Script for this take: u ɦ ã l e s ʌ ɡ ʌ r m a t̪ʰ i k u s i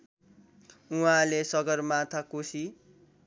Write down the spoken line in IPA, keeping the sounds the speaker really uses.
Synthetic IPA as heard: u ɦ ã l e s ʌ ɡ ʌ r m a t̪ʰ a k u s i